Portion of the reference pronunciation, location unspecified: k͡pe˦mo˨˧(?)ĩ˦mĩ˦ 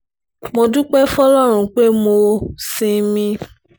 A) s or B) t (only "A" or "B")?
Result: A